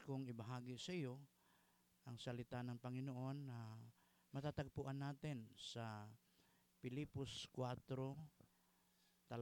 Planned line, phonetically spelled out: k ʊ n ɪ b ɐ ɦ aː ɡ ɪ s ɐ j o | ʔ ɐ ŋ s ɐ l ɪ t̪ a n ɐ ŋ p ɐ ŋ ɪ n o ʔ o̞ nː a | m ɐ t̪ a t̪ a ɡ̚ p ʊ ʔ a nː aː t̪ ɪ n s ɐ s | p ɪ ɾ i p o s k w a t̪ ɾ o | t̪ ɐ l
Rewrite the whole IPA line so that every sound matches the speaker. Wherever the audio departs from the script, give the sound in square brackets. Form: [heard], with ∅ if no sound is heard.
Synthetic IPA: k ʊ [ŋ] ɪ b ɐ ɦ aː ɡ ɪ s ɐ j o | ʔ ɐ ŋ s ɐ l ɪ t̪ a n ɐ ŋ p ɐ ŋ ɪ n o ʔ o̞ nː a | m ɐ t̪ a t̪ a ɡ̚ p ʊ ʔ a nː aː t̪ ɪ n s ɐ [∅] | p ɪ [l] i p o s k w a t̪ ɾ o | t̪ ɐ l